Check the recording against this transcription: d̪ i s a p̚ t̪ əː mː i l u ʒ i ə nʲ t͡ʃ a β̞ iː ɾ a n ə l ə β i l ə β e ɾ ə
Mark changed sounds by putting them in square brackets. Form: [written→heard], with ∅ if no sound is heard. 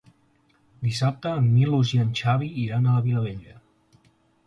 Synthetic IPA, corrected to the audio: d̪ i s a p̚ t̪ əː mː i l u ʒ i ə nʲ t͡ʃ a β̞ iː ɾ a n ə l ə β i l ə β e [ɾ→ʎ] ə